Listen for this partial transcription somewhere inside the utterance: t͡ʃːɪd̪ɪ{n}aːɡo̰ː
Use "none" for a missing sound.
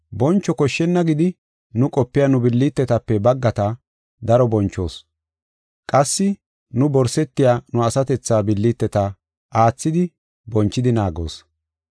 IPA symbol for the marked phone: n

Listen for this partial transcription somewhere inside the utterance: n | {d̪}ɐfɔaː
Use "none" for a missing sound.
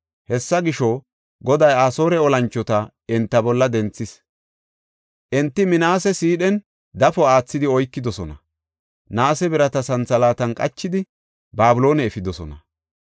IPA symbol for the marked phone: d̪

